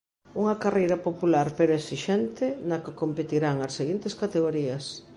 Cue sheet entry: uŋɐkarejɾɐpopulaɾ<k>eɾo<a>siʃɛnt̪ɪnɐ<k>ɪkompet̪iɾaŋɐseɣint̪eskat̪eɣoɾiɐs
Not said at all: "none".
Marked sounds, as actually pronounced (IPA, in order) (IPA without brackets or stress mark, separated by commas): p, e, k